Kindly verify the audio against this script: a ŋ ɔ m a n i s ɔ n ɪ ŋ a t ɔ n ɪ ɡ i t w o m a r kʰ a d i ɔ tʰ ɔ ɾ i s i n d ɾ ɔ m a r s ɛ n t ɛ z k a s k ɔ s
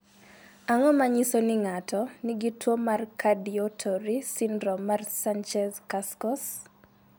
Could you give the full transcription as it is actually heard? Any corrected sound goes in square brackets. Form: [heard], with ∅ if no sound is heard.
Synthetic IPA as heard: a ŋ ɔ m a [ɲ] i s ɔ n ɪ ŋ a t ɔ n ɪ ɡ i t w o m a r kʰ a d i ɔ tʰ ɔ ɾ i s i n d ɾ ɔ m a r s [a] n [t͡ʃ] ɛ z k a s k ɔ s

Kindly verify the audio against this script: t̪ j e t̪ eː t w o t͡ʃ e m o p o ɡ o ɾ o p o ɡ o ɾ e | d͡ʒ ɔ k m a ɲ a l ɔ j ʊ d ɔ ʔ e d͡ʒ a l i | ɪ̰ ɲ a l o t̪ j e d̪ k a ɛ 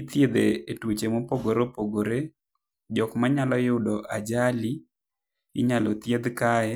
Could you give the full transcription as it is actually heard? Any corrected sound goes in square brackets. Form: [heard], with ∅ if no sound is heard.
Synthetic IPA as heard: t̪ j e [d̪] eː t w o t͡ʃ e m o p o ɡ o ɾ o p o ɡ o ɾ e | d͡ʒ ɔ k m a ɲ a l ɔ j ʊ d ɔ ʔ [a] d͡ʒ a l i | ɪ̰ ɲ a l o t̪ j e d̪ k a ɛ

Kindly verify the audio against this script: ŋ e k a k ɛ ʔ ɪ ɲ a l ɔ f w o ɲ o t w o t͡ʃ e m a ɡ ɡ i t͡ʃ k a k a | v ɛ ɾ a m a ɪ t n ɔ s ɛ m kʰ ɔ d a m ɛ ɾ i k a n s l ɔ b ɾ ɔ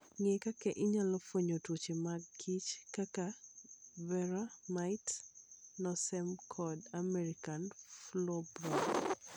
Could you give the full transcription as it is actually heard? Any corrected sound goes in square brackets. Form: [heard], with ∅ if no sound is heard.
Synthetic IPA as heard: ŋ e k a k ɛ ʔ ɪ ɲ a l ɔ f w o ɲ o t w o t͡ʃ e m a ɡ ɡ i t͡ʃ k a k a | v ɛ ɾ a m a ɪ t n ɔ s ɛ m kʰ ɔ d a m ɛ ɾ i k a n [f] l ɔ b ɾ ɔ

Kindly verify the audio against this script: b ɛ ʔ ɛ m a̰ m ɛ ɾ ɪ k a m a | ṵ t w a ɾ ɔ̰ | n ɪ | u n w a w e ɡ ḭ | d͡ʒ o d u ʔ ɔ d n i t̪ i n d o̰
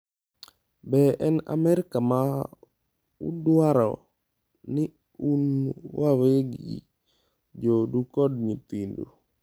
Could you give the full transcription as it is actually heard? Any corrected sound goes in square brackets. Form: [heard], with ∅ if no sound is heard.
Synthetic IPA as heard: b ɛ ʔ ɛ [n] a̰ m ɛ ɾ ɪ k a m a | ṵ [d] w a ɾ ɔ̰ | n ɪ | u n w a w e ɡ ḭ | d͡ʒ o d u [k] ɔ d [ɲ] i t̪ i n d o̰

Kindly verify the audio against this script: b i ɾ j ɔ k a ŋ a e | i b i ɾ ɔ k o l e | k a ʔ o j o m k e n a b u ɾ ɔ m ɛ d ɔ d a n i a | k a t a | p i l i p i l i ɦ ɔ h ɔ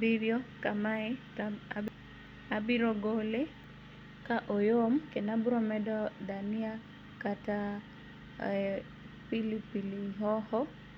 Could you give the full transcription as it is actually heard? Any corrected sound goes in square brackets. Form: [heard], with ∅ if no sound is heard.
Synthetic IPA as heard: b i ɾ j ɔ k a [m] a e | [a] b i ɾ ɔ [ɡ] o l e | k a ʔ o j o m k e n a b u ɾ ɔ m ɛ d ɔ d a n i a | k a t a | p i l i p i l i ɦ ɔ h ɔ

